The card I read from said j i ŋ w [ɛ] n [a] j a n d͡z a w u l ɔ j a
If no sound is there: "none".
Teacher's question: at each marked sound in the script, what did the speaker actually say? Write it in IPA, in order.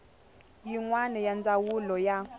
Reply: a, ɛ

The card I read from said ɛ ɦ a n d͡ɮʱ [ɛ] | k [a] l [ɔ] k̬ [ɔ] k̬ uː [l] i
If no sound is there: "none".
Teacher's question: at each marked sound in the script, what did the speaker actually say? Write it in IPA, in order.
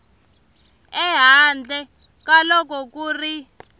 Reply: ɛ, a, ɔ, ɔ, r

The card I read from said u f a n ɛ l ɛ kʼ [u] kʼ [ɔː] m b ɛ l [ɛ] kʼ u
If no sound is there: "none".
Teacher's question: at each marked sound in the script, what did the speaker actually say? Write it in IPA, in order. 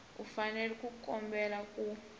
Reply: u, ɔ, a

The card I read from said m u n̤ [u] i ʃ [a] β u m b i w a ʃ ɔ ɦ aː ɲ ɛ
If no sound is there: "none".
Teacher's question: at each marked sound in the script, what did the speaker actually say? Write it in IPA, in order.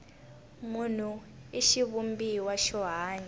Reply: u, i

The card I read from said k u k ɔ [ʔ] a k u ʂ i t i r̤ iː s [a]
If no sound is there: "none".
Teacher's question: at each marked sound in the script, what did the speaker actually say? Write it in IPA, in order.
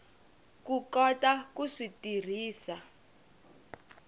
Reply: t, a

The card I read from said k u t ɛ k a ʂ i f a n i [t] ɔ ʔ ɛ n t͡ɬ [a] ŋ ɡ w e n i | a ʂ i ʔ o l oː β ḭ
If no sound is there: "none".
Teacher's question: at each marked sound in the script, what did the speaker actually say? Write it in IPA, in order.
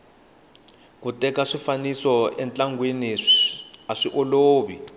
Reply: s, a

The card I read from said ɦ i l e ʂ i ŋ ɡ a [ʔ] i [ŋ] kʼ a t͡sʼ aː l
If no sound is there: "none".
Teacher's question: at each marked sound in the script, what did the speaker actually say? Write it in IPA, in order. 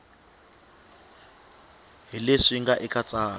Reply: ʔ, none

